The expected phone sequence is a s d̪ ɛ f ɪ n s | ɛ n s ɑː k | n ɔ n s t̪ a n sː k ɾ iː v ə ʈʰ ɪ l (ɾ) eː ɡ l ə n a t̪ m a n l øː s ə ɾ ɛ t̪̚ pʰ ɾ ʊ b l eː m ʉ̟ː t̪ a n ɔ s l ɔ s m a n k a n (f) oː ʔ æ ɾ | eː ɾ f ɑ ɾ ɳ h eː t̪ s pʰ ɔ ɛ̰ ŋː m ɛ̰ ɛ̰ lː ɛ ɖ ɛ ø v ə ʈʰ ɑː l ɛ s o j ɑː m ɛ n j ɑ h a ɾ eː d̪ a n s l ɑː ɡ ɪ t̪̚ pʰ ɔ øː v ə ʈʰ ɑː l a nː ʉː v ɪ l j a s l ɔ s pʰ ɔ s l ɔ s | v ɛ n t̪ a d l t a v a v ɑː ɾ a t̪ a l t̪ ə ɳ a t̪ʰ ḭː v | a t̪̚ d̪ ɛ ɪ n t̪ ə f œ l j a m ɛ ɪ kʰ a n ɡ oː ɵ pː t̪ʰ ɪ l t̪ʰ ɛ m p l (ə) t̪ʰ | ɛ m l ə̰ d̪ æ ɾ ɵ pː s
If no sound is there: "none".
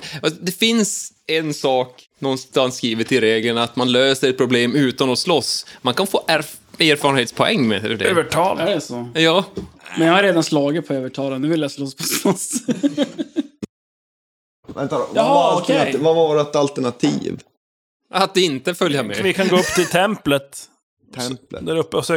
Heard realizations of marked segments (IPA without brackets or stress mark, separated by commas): ɾ, f, ə